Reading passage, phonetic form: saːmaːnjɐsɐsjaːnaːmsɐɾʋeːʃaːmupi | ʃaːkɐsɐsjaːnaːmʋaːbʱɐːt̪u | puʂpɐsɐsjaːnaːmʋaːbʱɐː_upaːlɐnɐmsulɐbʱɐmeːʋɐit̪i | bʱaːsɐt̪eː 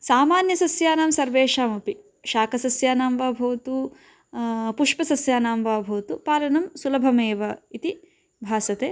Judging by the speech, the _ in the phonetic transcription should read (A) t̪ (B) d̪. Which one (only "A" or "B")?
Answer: A